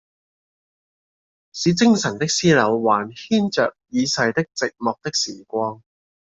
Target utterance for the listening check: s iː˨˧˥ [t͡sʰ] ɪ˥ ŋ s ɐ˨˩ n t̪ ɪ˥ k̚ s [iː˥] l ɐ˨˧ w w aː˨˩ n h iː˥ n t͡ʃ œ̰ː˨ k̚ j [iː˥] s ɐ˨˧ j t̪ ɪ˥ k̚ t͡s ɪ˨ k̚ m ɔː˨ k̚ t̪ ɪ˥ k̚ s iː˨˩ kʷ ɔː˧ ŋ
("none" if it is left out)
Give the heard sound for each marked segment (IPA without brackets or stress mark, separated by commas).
t͡s, iː˥, iː˨˧